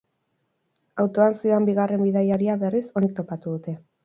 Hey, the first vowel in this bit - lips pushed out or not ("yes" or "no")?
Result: no